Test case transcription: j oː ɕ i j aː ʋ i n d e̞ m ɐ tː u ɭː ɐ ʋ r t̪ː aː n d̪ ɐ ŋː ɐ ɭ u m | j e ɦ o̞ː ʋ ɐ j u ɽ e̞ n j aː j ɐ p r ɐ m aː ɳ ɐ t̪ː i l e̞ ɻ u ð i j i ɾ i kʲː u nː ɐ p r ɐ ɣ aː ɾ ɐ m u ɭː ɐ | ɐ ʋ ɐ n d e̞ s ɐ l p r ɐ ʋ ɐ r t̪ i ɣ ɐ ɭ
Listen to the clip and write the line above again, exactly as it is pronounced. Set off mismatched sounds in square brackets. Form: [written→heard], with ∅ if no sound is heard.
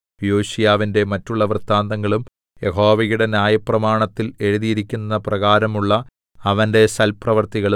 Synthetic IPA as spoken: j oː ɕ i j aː ʋ i n d e̞ m ɐ tː u ɭː ɐ ʋ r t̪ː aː n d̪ ɐ ŋː ɐ ɭ u m | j e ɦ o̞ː ʋ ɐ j u ɽ e̞ n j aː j ɐ p r ɐ m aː ɳ ɐ t̪ː i l e̞ ɻ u ð i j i ɾ i kʲː u nː ɐ p r ɐ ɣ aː ɾ ɐ m u ɭː ɐ | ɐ ʋ ɐ n d e̞ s ɐ l p r ɐ ʋ ɐ r t̪ i ɣ ɐ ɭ